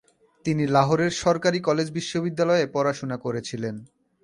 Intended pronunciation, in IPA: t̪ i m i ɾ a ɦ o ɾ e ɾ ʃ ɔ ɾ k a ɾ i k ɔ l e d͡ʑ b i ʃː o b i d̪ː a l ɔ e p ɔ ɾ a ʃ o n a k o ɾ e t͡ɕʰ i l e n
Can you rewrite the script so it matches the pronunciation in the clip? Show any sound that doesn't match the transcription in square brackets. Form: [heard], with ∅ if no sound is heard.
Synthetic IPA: t̪ i [n] i [l] a ɦ o ɾ e ɾ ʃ ɔ ɾ k a ɾ i k ɔ l e d͡ʑ b i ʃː o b i d̪ː a l ɔ e p ɔ ɾ a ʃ o n a k o ɾ e t͡ɕʰ i l e n